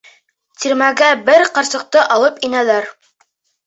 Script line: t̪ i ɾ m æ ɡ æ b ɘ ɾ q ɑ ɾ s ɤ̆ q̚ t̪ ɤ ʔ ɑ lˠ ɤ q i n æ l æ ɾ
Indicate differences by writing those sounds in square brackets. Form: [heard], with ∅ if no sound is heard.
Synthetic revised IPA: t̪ i ɾ m æ ɡ æ b ɘ ɾ q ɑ ɾ s ɤ̆ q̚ t̪ ɤ ʔ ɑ lˠ ɤ [p] i n æ l æ ɾ